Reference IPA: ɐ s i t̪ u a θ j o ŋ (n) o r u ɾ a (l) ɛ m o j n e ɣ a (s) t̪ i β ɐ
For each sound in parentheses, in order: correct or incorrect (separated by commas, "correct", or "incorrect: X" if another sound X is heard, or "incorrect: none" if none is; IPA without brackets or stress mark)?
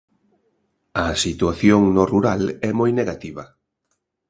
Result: correct, correct, incorrect: none